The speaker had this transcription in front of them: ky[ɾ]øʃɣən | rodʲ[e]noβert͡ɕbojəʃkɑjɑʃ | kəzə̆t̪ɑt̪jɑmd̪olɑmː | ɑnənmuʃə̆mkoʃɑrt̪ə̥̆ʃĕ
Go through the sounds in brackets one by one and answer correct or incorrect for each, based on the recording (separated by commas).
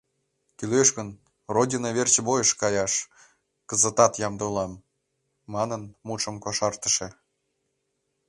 incorrect, incorrect